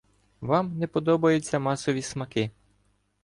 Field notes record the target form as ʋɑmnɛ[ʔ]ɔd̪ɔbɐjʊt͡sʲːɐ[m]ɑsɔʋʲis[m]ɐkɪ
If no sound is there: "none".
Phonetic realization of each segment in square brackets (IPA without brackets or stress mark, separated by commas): p, m, m